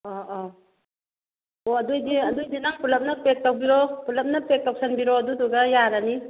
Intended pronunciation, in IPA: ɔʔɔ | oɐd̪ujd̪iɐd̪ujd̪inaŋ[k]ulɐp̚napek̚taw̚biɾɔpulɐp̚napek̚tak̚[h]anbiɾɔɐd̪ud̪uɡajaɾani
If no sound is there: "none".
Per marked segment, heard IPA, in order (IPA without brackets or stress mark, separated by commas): p, s